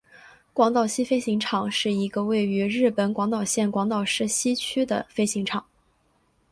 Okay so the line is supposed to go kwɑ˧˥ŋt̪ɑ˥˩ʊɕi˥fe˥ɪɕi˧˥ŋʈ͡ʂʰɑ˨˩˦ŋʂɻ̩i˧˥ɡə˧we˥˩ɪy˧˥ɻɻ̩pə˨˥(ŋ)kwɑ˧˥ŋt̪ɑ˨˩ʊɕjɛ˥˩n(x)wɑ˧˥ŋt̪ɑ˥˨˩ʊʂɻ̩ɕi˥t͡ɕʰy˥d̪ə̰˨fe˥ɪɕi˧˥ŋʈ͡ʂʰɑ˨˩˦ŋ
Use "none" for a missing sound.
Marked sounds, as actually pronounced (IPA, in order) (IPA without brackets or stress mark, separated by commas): n, k